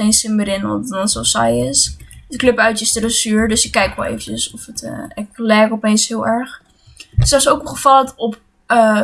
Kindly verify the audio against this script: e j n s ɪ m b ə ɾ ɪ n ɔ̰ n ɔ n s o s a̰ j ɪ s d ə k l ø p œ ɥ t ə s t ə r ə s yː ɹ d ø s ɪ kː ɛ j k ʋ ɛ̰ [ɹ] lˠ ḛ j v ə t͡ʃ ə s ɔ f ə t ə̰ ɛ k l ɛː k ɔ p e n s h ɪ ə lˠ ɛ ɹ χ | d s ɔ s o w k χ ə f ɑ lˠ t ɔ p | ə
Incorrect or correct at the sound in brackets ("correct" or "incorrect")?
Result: incorrect